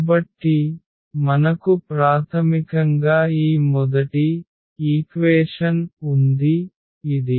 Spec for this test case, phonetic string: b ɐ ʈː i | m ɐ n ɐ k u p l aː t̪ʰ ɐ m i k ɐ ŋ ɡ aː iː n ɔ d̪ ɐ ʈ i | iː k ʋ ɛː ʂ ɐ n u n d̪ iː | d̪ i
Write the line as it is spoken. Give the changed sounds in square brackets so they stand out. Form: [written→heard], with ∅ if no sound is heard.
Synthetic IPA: b ɐ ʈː i | m ɐ n ɐ k u p [l→ɾ] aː t̪ʰ ɐ m i k ɐ ŋ ɡ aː iː [n→m] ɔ d̪ ɐ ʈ i | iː k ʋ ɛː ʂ ɐ n u n d̪ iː | d̪ i